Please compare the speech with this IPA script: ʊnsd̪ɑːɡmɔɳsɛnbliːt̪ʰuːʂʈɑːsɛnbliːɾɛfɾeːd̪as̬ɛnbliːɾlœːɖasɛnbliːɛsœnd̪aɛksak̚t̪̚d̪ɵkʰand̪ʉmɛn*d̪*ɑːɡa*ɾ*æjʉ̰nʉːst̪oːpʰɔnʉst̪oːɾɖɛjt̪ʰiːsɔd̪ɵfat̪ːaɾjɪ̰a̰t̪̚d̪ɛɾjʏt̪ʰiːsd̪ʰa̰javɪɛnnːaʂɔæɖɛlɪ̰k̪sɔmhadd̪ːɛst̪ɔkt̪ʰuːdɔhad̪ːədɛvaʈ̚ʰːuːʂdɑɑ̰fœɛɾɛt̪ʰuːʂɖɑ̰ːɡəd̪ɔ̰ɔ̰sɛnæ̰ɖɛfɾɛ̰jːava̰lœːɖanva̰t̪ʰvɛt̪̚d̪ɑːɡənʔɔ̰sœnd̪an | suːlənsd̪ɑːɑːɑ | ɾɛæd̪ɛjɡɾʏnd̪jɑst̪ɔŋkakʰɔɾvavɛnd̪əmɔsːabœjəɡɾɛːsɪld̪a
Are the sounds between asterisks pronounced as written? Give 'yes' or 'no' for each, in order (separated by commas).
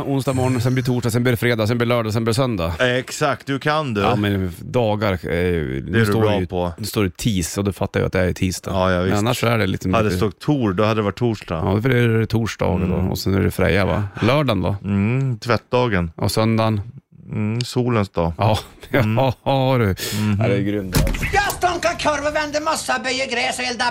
yes, yes